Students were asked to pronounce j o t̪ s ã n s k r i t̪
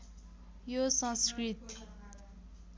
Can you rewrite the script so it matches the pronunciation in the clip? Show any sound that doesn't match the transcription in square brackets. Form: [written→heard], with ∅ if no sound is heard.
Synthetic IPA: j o [t̪→∅] s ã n s k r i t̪